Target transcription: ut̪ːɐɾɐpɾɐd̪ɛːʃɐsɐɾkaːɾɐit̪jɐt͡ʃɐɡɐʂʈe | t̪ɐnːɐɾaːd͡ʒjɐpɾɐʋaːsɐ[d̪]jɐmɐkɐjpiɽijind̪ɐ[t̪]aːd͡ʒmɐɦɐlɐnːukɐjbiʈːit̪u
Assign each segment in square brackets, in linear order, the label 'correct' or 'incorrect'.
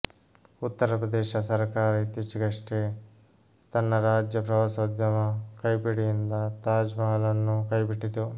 correct, correct

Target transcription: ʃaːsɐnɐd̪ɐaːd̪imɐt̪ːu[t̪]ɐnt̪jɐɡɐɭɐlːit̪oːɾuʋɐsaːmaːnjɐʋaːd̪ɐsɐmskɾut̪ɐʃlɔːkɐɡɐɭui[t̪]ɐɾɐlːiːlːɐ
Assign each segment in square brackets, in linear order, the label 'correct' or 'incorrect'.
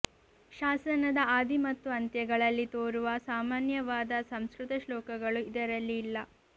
incorrect: none, incorrect: d̪

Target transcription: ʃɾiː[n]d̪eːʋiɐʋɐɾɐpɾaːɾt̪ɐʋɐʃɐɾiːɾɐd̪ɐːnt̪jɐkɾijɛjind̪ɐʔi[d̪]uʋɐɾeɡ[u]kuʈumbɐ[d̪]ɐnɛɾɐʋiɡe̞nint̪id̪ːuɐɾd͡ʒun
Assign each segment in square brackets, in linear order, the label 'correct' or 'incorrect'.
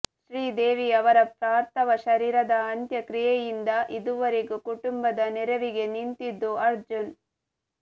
incorrect: none, correct, correct, correct

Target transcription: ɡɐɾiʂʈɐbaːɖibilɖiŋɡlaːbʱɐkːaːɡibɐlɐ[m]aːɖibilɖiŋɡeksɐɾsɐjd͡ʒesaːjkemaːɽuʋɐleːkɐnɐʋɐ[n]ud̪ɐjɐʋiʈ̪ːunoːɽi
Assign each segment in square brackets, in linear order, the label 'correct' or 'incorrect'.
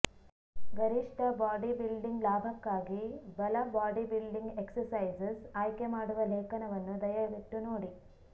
incorrect: b, incorrect: nː

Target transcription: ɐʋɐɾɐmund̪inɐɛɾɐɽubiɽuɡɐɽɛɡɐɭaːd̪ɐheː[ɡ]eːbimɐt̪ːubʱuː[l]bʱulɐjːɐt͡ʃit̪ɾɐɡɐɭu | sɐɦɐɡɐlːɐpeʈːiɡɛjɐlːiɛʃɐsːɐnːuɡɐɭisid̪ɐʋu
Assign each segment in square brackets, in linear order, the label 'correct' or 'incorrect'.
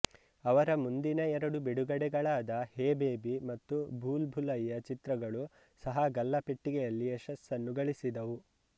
incorrect: b, correct

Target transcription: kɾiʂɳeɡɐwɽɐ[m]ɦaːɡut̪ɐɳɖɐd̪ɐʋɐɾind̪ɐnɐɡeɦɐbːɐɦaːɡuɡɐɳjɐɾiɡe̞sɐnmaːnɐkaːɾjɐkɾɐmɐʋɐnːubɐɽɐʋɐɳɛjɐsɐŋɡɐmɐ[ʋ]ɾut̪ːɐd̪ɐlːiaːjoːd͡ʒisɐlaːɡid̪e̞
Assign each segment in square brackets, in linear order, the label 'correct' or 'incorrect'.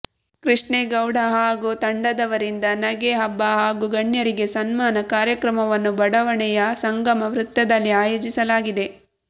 incorrect: none, correct

